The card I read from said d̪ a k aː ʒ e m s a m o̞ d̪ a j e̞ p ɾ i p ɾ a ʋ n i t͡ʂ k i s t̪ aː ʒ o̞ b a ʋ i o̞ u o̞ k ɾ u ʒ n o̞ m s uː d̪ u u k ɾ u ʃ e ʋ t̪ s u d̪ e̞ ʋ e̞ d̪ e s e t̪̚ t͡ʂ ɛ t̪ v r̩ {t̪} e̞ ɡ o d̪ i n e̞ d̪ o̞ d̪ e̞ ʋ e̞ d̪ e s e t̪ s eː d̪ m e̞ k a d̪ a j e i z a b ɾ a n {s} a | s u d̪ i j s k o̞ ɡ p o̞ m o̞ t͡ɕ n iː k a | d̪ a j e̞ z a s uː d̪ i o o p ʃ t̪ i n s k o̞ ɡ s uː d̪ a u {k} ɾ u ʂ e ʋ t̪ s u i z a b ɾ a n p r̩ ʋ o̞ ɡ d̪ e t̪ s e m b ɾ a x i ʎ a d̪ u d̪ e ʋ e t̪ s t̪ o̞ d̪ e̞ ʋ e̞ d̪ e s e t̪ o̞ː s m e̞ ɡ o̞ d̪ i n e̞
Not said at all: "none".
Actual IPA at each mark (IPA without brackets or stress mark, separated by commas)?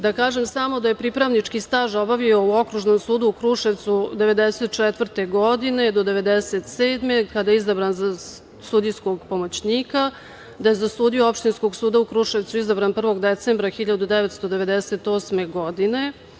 t̪, z, k